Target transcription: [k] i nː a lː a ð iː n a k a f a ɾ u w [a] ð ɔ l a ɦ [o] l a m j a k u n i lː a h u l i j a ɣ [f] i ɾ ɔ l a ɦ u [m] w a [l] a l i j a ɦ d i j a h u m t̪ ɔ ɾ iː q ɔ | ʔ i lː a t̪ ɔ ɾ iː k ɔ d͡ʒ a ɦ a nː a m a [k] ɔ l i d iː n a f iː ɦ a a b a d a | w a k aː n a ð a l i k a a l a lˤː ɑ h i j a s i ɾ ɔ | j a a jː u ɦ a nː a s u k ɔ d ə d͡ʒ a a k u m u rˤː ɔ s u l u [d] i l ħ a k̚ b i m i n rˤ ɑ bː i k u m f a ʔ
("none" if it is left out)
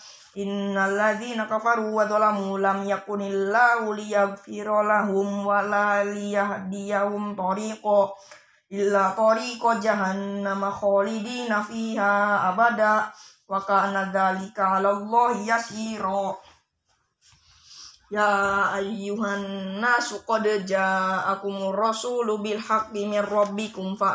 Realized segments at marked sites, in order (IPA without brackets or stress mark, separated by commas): ʔ, a, u, f, m, l, x, b